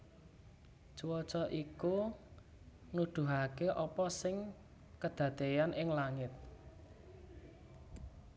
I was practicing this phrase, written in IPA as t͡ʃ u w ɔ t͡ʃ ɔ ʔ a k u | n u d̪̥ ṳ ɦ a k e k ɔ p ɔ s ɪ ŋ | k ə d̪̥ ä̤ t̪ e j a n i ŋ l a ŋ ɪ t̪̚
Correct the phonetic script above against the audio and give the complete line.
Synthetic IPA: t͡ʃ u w ɔ t͡ʃ ɔ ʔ i k u | n u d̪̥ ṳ ɦ a k e ʔ ɔ p ɔ s ɪ ŋ | k ə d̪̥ ä̤ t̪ e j a n ɪ ŋ l a ŋ ɪ t̪̚